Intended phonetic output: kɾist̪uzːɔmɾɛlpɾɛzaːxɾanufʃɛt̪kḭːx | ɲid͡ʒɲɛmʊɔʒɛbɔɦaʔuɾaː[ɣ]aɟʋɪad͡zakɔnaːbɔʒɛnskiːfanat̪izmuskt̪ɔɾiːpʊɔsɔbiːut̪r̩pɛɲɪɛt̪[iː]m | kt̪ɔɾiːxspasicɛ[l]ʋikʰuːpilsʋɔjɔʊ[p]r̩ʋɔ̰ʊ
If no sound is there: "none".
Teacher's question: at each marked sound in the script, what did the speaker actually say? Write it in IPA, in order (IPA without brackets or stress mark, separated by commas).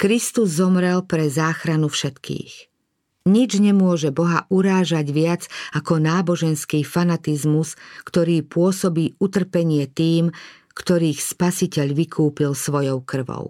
ʒ, iː, ʎ, k